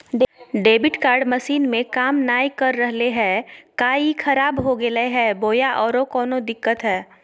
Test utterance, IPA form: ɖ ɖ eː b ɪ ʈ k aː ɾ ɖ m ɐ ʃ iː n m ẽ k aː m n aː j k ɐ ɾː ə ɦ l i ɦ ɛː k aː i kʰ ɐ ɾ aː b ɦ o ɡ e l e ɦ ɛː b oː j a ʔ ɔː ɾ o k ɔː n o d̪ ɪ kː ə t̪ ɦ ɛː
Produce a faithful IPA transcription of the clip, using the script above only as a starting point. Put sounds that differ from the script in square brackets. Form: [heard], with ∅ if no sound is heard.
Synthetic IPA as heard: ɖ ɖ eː b ɪ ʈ k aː ɾ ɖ m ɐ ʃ iː n m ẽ k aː m n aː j k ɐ ɾː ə ɦ l [e] ɦ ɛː k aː i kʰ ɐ ɾ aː b ɦ o ɡ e l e ɦ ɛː b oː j a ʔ ɔː ɾ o k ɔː n o d̪ ɪ kː ə t̪ ɦ ɛː